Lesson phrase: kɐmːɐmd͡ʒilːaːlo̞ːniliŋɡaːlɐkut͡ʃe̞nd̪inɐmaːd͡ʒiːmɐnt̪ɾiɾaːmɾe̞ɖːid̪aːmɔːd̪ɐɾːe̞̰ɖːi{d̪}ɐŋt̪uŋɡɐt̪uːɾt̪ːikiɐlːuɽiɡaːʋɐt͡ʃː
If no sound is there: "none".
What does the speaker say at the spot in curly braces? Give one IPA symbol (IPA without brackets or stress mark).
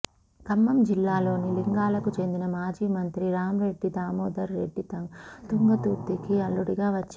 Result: t̪